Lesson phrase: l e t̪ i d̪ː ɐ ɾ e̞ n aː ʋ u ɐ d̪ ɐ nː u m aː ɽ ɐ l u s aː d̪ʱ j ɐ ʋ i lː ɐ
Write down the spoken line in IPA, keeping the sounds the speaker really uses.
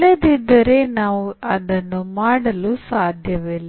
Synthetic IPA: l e d̪ i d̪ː ɐ ɾ e̞ n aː ʋ u ɐ d̪ ɐ nː u m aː ɽ ɐ l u s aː d̪ʱ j ɐ ʋ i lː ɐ